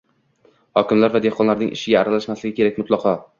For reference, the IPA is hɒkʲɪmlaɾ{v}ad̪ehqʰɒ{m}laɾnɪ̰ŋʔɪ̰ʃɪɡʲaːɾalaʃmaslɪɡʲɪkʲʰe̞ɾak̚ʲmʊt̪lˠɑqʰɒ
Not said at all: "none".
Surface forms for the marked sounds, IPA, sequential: v, n

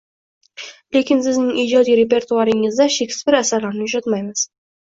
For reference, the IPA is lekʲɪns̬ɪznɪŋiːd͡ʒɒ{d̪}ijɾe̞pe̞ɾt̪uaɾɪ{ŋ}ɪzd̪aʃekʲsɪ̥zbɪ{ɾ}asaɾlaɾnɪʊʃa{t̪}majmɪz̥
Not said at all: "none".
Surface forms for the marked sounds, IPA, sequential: d̪, ŋ, ɾ, t̪

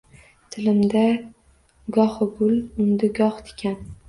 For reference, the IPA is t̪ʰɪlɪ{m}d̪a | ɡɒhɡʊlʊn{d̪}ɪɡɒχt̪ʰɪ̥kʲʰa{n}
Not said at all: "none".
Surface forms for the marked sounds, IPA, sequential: m, d̪, n

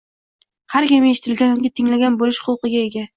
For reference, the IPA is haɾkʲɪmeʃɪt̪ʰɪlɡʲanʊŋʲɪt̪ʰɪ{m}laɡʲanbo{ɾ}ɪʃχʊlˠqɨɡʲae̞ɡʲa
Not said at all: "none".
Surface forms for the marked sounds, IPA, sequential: ŋ, l

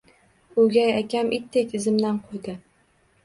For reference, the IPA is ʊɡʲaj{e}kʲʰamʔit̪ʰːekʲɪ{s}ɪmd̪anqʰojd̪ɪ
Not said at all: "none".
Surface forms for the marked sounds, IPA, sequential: a, z

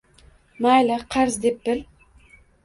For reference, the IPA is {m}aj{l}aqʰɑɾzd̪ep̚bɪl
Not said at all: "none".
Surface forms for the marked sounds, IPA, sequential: m, l

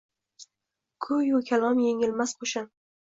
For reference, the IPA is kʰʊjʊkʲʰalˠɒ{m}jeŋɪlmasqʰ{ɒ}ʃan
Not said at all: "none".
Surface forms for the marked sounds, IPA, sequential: m, o

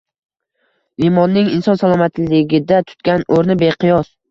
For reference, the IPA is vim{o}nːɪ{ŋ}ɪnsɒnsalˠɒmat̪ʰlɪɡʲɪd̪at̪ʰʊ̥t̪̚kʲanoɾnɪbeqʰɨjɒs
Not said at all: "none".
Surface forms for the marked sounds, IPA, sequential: ɒ, ŋ

